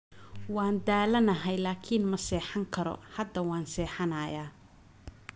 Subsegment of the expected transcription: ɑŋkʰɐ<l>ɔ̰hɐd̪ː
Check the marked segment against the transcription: incorrect: ɾ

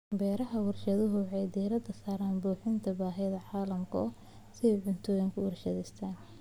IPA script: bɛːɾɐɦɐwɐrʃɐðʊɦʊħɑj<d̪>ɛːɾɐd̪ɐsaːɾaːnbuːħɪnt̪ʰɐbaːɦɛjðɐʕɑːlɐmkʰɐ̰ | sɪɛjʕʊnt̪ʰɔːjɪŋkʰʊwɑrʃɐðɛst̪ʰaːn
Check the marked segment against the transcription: correct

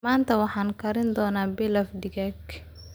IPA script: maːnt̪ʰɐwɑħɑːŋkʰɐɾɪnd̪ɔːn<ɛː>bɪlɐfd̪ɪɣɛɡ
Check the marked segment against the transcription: incorrect: aː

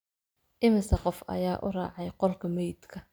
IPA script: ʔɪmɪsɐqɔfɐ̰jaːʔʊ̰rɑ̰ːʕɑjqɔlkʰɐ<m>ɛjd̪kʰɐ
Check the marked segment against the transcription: correct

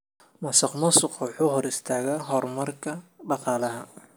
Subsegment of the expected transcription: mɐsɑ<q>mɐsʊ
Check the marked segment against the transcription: correct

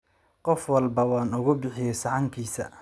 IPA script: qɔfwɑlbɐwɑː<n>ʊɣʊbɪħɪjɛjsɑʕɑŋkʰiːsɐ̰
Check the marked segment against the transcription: correct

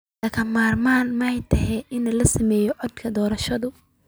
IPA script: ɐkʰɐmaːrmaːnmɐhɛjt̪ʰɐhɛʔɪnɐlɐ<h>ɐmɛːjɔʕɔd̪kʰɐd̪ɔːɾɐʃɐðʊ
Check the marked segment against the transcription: incorrect: s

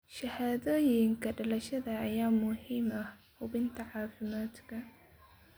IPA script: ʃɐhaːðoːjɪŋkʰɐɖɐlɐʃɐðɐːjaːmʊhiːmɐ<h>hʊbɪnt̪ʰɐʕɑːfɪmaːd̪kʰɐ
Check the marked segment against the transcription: correct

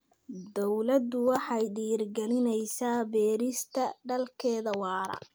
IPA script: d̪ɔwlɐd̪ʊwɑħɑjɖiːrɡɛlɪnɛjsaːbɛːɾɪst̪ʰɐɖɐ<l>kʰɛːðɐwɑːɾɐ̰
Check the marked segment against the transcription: correct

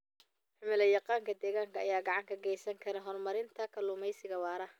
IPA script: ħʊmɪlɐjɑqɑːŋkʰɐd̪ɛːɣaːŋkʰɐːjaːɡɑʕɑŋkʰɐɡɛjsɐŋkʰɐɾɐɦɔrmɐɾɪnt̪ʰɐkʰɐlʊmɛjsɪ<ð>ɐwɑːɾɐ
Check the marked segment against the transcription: incorrect: ɣ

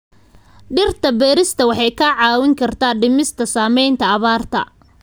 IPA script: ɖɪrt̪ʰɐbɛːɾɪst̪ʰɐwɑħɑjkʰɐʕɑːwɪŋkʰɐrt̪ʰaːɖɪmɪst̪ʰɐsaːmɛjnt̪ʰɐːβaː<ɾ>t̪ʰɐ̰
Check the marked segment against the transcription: incorrect: r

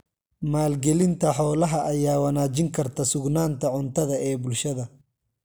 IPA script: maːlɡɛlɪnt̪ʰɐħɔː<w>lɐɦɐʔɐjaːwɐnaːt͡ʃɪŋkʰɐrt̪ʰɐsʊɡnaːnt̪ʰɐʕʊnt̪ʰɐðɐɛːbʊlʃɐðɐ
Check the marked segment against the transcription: incorrect: none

